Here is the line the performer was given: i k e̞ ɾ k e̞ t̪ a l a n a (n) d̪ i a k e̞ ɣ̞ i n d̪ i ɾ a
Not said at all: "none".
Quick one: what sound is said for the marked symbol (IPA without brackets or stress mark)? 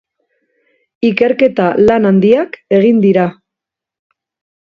n